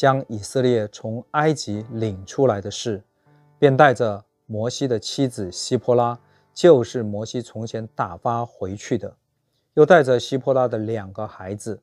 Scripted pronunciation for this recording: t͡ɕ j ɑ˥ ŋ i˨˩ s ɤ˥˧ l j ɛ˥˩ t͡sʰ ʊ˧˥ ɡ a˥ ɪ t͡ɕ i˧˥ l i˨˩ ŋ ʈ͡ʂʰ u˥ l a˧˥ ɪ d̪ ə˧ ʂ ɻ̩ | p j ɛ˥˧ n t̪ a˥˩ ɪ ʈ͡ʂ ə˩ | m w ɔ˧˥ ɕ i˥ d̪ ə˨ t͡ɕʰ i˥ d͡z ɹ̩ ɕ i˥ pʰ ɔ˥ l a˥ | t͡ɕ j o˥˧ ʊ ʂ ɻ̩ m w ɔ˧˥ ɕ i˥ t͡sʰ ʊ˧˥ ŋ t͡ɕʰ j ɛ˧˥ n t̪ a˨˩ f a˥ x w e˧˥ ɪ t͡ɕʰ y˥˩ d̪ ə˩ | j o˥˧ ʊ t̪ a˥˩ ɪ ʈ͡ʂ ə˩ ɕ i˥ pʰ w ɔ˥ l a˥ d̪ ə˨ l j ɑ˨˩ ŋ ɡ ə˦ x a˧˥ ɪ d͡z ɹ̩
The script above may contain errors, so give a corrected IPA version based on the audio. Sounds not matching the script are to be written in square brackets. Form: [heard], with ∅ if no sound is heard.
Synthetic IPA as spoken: t͡ɕ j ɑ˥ ŋ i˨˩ s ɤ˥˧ l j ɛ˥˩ t͡sʰ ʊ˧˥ [ŋ] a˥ ɪ t͡ɕ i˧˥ l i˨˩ ŋ ʈ͡ʂʰ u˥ l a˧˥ ɪ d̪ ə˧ ʂ ɻ̩ | p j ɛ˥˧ n t̪ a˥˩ ɪ ʈ͡ʂ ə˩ | m w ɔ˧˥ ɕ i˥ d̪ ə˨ t͡ɕʰ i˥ d͡z ɹ̩ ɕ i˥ pʰ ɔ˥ l a˥ | t͡ɕ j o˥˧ ʊ ʂ ɻ̩ m w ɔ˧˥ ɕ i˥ t͡sʰ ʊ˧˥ ŋ t͡ɕʰ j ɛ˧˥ n t̪ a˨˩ f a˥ x w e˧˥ ɪ t͡ɕʰ y˥˩ d̪ ə˩ | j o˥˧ ʊ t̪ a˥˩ ɪ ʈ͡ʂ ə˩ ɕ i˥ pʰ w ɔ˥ l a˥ d̪ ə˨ l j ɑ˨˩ ŋ ɡ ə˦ x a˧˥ ɪ d͡z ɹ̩